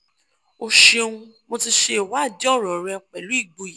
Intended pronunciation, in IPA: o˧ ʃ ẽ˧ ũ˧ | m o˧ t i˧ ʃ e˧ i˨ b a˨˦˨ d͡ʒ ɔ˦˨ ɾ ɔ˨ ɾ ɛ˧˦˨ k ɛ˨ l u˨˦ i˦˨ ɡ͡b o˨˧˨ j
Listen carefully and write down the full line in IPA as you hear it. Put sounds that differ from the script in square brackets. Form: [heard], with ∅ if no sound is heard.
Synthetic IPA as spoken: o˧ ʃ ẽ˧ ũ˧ | m o˧ t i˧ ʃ e˧ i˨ [w] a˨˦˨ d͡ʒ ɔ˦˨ ɾ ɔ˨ ɾ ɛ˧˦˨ [k͡p] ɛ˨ l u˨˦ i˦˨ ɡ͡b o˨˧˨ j